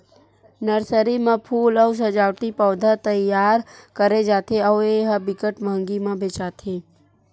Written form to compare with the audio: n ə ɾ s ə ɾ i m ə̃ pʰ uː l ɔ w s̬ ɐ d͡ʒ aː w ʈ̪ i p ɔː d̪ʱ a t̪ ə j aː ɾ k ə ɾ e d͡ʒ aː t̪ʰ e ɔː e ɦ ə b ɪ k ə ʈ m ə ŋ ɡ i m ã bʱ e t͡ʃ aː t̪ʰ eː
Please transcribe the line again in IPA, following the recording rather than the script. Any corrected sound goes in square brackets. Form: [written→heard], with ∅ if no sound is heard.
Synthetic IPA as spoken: n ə ɾ s ə ɾ i m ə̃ pʰ uː l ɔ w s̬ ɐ d͡ʒ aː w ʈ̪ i p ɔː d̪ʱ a t̪ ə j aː ɾ k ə ɾ e d͡ʒ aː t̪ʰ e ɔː e ɦ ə b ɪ k ə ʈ m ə ŋ ɡ i m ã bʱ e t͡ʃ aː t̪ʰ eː